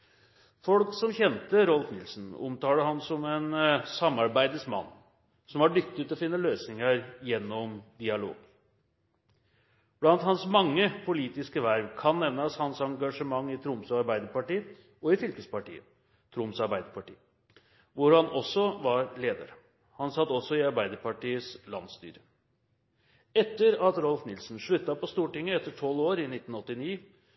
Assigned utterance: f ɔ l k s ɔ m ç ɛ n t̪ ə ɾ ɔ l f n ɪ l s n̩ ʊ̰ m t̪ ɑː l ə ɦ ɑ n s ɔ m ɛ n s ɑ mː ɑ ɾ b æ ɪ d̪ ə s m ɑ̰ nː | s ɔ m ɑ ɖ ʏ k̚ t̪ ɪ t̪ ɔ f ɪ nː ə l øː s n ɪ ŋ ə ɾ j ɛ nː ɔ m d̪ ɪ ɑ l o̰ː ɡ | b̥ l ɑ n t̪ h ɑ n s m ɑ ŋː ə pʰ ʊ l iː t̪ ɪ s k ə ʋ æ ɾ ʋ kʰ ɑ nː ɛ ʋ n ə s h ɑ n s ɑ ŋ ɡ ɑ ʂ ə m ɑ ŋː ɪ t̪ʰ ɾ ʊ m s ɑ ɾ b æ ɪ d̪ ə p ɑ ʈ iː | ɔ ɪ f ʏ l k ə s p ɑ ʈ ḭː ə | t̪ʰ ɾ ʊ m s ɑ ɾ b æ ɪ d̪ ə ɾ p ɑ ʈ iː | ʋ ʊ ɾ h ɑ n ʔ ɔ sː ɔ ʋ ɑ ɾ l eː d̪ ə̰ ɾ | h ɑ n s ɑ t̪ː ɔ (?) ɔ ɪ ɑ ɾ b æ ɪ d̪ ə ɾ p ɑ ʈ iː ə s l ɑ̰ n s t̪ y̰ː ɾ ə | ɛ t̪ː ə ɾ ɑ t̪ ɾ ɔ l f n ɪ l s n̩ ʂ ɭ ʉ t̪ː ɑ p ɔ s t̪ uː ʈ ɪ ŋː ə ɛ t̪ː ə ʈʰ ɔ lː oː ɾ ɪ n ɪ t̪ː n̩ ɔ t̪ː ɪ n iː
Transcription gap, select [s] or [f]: s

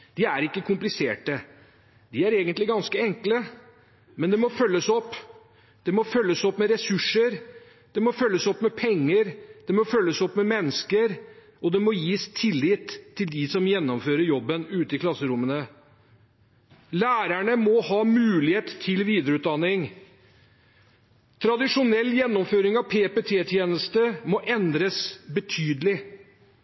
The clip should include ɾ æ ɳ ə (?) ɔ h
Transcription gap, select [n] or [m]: m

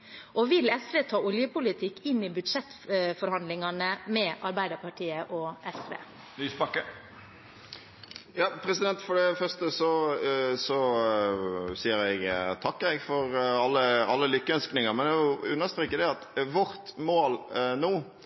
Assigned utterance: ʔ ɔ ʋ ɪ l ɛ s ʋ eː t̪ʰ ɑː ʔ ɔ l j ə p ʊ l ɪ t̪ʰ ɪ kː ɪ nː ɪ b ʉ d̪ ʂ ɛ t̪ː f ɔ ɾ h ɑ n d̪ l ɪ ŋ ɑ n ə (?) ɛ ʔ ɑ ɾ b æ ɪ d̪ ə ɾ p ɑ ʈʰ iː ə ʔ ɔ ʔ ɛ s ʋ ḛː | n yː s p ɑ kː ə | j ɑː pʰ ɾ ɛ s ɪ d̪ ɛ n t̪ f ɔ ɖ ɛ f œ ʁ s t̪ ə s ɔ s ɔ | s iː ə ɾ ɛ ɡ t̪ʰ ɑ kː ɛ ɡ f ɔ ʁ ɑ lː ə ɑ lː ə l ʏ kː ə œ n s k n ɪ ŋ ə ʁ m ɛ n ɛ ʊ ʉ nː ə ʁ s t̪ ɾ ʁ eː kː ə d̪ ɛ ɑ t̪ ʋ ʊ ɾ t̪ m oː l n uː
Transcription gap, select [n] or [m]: m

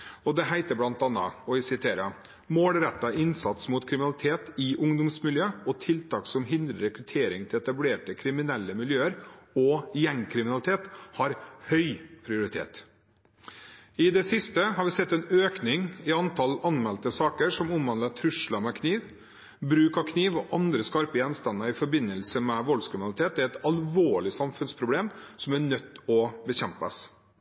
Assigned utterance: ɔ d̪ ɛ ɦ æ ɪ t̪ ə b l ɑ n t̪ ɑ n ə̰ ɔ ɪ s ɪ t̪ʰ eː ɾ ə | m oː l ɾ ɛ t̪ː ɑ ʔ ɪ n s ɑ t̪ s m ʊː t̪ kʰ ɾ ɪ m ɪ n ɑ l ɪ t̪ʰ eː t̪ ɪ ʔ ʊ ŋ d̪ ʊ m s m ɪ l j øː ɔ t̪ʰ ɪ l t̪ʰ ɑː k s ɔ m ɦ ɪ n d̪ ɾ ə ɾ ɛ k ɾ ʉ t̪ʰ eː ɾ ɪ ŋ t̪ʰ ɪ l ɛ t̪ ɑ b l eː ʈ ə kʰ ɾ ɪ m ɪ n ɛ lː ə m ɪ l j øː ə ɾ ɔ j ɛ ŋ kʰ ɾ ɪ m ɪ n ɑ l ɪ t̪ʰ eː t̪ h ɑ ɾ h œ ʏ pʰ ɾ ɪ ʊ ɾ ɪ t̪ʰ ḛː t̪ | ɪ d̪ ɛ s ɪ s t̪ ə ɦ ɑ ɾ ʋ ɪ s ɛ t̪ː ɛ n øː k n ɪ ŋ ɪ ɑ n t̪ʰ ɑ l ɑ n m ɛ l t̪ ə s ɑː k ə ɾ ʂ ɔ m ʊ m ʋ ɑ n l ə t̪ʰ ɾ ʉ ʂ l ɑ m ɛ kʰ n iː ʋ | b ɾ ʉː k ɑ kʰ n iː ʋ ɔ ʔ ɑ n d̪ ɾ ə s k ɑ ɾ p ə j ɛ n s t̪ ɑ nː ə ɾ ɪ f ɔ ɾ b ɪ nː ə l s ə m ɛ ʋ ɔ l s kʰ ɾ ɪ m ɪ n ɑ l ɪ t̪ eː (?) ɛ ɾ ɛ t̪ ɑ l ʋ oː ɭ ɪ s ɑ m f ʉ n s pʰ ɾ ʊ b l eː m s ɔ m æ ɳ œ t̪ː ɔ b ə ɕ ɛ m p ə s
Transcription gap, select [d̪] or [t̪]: t̪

